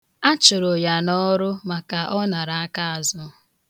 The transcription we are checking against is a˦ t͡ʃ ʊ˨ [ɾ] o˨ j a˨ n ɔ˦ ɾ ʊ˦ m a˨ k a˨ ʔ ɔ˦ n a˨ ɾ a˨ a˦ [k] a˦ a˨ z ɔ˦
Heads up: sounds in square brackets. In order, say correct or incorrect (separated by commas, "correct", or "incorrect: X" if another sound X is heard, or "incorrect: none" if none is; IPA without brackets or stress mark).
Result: correct, correct